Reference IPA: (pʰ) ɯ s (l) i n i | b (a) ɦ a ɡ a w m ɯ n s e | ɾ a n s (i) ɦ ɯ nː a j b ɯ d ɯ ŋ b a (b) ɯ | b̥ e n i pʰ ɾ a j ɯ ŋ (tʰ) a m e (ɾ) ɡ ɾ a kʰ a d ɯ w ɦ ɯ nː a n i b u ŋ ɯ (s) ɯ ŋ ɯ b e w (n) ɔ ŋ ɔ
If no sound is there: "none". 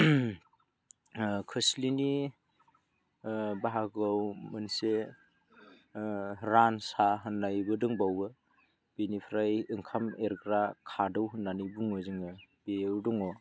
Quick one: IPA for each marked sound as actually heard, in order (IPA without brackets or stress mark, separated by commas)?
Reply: kʰ, l, a, a, w, kʰ, ɾ, z, d